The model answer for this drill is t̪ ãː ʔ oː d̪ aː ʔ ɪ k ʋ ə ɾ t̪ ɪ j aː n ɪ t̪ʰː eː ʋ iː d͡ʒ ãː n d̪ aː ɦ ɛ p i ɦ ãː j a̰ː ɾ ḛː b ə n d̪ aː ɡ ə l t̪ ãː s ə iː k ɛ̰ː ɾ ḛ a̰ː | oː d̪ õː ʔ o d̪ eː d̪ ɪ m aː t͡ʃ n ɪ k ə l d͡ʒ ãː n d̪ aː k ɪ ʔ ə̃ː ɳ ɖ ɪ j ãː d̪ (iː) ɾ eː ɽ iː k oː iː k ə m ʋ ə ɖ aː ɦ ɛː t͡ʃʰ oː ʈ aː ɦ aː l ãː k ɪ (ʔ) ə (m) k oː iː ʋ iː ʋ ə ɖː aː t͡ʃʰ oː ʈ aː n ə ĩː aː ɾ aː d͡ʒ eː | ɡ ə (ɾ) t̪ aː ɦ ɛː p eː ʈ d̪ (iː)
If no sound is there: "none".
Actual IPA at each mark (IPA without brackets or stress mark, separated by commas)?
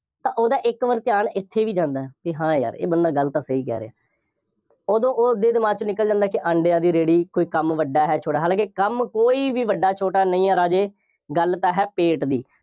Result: iː, k, m, l, iː